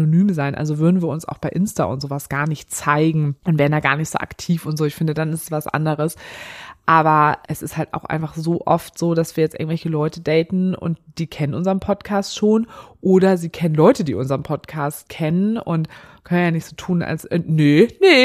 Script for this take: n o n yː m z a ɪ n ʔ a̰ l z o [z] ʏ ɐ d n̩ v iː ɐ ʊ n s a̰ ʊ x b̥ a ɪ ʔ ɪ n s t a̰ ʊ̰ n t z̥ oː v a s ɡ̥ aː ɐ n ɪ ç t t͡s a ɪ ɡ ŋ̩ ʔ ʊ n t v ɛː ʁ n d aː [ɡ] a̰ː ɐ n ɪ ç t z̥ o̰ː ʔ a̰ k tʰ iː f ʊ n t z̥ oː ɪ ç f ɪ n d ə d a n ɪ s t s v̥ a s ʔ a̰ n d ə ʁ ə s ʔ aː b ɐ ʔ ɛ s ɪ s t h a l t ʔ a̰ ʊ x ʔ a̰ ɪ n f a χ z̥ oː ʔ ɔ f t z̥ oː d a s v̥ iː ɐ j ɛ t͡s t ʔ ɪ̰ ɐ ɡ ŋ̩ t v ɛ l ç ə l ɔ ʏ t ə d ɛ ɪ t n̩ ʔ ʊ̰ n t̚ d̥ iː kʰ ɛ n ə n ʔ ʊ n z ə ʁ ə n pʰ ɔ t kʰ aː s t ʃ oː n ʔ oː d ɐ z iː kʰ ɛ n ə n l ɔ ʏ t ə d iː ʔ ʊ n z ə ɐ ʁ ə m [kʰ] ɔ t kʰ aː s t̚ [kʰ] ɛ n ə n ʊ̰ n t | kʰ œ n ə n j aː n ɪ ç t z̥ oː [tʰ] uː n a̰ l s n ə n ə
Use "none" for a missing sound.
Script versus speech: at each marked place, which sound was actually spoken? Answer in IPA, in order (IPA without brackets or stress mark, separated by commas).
v, ɡ, pʰ, kʰ, tʰ